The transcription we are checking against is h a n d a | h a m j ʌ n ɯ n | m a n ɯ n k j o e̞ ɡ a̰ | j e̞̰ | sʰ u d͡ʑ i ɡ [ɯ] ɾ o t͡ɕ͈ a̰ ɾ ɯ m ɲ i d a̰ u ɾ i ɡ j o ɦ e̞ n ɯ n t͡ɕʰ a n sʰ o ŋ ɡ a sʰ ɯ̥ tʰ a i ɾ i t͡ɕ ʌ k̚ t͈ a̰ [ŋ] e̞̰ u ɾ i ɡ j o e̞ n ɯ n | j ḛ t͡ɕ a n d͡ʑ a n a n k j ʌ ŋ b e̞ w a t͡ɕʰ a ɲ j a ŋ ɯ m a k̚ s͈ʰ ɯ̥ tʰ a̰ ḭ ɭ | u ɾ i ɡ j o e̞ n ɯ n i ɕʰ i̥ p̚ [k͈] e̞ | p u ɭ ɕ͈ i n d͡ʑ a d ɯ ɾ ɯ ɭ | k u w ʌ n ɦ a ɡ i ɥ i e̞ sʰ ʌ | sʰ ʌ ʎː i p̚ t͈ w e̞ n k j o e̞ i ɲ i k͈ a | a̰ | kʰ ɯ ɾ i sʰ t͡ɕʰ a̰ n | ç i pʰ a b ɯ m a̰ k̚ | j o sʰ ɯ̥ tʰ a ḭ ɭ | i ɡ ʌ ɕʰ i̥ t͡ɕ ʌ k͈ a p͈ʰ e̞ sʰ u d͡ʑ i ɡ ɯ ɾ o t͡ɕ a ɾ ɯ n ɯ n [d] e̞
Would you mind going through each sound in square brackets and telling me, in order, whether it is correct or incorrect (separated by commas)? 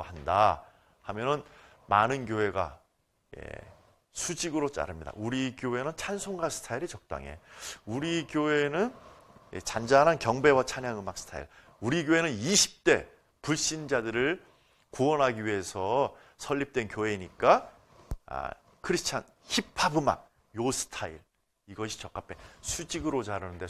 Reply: correct, correct, incorrect, correct